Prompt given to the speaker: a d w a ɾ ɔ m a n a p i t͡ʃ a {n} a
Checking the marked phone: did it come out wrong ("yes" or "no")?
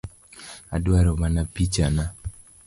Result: no